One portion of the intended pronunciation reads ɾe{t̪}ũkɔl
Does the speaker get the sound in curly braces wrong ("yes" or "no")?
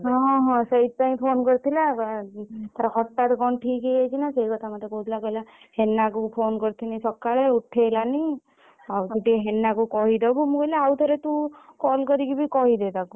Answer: no